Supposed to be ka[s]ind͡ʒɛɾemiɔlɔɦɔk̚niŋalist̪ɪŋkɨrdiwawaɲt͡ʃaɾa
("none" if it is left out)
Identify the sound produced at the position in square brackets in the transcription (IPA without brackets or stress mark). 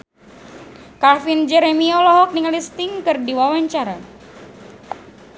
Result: f